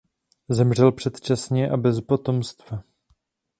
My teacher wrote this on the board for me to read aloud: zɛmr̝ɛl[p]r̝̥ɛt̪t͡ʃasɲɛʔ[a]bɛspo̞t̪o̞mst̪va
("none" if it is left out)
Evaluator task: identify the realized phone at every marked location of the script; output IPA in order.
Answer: p, a

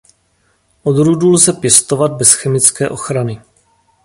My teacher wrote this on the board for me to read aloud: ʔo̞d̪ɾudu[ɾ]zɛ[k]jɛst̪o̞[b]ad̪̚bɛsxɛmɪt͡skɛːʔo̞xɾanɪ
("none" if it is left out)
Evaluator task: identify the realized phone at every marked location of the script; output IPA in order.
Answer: l, p, v

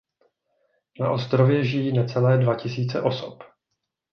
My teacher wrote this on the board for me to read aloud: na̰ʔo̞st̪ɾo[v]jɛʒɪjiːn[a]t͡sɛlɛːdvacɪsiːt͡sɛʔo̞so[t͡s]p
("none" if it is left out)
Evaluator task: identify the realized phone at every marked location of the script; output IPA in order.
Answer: v, ɛ, none

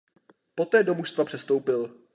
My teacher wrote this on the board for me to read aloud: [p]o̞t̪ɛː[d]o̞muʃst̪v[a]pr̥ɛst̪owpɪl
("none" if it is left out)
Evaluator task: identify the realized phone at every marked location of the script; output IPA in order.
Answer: p, d, a

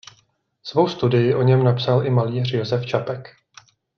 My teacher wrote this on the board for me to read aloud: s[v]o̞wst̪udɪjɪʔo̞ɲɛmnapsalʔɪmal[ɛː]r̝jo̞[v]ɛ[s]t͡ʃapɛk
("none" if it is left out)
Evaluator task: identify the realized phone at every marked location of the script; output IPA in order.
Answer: v, iː, z, f

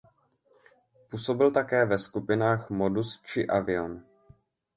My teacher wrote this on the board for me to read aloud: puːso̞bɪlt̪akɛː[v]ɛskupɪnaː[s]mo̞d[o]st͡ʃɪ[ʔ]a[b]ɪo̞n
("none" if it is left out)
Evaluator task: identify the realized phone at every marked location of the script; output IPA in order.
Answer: v, x, u, ʔ, v

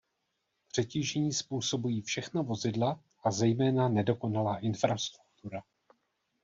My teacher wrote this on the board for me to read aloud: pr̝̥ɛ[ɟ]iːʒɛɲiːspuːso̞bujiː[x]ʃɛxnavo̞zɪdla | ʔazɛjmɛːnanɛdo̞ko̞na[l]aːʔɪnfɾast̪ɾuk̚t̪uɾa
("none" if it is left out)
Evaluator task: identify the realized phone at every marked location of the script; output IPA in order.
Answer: c, f, l

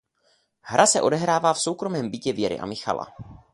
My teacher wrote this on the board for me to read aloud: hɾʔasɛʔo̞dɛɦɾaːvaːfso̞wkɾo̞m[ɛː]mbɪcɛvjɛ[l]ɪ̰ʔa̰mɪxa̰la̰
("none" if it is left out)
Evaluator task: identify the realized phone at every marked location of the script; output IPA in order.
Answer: ɛː, ɾ

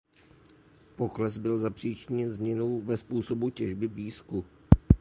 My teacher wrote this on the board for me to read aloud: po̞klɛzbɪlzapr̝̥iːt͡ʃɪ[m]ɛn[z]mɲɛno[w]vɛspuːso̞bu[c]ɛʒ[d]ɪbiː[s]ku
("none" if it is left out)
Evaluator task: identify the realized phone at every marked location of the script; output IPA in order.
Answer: ɲ, z, w, c, b, s

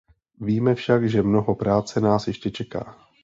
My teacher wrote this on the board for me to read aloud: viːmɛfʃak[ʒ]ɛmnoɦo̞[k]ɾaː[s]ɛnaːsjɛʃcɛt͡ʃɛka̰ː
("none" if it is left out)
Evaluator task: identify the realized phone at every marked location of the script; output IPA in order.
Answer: ʒ, p, t͡s

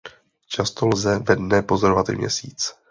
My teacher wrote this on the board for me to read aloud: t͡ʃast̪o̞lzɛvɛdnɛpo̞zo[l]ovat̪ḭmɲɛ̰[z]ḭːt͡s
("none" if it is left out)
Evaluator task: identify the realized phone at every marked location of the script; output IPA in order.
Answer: ɾ, s

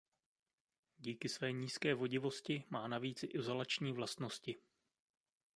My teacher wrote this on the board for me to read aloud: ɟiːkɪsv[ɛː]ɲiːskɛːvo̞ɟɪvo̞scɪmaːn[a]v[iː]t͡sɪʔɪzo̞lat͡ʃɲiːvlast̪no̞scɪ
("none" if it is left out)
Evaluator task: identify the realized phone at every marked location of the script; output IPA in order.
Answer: ɛː, a, iː

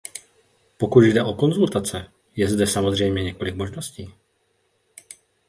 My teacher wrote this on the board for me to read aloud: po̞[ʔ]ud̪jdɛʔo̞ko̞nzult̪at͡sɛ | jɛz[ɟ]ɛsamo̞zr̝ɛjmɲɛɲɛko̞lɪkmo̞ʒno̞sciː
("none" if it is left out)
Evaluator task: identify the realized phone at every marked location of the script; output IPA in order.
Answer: k, d

